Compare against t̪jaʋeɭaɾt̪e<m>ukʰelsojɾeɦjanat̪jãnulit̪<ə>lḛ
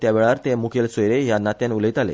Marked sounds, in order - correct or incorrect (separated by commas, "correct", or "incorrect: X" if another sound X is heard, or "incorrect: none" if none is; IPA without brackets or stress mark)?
correct, incorrect: a